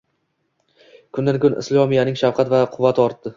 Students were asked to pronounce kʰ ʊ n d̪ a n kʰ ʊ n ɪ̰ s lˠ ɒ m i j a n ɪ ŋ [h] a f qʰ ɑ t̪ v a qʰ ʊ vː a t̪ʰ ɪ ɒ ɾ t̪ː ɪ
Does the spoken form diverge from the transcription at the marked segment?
yes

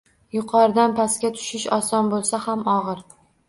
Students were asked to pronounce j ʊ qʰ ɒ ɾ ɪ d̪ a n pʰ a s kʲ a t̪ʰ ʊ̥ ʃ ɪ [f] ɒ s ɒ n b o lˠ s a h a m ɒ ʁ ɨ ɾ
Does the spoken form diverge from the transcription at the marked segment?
yes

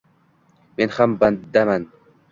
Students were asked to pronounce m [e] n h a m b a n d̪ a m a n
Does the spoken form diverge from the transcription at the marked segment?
no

